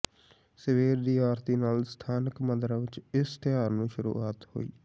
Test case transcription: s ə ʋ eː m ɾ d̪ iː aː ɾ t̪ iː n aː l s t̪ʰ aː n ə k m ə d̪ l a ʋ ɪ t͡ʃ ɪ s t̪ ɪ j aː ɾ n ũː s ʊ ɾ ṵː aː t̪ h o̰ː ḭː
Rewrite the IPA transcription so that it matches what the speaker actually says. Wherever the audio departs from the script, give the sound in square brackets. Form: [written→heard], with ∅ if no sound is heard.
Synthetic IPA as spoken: s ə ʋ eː [m→∅] ɾ d̪ iː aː ɾ t̪ iː n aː l s t̪ʰ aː n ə k m ə d̪ [l→ɾ] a ʋ ɪ t͡ʃ ɪ s t̪ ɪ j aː ɾ n ũː [s→ʃ] ʊ ɾ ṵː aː t̪ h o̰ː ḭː